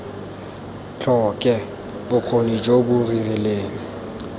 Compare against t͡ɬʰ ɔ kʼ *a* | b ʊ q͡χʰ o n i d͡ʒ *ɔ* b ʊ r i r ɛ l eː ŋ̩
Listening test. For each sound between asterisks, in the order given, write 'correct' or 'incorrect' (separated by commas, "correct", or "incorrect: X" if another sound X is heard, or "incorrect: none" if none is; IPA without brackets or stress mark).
incorrect: ɛ, incorrect: o